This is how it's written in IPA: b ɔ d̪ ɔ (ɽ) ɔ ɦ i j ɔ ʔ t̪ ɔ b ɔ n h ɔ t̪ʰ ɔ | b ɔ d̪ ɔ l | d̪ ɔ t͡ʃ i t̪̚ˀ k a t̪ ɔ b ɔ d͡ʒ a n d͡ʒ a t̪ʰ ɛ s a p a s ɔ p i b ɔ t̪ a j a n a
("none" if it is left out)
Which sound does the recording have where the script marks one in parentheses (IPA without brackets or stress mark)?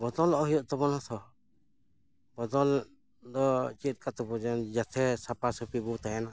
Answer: l